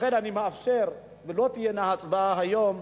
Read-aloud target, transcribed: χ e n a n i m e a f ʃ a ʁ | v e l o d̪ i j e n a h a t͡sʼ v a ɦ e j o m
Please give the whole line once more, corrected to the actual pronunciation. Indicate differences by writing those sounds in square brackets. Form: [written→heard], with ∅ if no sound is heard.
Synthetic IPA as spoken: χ e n a n i m e a f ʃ [a→e] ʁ | v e l o [d̪→t̪] i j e n a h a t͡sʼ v a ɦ [e→a] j o m